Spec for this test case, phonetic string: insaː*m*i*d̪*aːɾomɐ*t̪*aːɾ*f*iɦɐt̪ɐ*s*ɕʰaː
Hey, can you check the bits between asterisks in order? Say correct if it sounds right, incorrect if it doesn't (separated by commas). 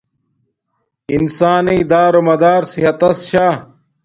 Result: incorrect, correct, incorrect, incorrect, correct